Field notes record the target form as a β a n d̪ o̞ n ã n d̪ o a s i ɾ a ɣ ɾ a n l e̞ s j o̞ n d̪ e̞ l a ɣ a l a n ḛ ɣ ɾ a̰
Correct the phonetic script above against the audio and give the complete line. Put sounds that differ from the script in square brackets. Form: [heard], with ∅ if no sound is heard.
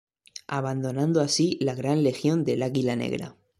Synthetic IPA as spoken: a β a n d̪ o̞ n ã n d̪ o a s i [l] a ɣ ɾ a n l e̞ [x] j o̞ n d̪ e̞ l a ɣ [i] l a n ḛ ɣ ɾ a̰